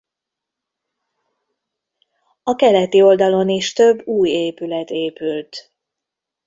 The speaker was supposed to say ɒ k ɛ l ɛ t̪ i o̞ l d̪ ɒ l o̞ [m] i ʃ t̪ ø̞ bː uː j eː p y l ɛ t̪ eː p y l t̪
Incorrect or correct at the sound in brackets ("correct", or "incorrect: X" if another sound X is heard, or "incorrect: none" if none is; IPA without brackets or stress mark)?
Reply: incorrect: n